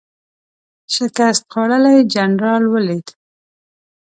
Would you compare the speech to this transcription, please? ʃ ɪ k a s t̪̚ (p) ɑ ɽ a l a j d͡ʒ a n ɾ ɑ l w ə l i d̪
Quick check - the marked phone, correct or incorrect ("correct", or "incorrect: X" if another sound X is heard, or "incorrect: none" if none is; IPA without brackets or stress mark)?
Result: incorrect: q